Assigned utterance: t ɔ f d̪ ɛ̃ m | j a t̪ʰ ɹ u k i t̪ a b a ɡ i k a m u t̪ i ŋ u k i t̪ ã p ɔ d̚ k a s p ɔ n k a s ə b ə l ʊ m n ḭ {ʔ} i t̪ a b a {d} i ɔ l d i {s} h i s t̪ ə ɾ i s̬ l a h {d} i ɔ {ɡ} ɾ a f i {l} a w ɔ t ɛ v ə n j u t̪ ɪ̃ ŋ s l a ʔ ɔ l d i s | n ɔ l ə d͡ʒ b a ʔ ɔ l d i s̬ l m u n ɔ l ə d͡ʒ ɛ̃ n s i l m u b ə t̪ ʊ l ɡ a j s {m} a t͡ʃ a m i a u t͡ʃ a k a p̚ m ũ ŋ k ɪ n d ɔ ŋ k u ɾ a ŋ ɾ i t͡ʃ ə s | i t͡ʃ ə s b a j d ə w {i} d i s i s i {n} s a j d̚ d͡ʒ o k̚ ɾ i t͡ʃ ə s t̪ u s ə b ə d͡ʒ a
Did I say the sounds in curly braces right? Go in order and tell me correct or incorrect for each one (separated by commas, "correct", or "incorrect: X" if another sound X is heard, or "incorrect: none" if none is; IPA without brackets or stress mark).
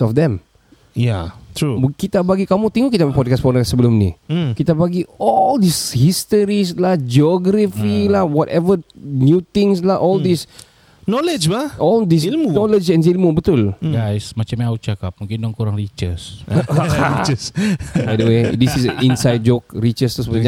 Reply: incorrect: k, incorrect: ɡ, correct, incorrect: d͡ʒ, correct, correct, correct, incorrect: e, correct